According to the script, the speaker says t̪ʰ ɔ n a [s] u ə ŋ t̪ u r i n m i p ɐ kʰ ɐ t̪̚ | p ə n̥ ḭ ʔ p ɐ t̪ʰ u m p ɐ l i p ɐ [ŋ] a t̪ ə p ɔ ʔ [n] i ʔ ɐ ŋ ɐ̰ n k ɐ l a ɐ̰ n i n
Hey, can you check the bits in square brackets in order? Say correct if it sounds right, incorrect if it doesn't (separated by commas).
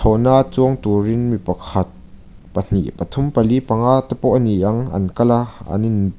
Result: incorrect, correct, correct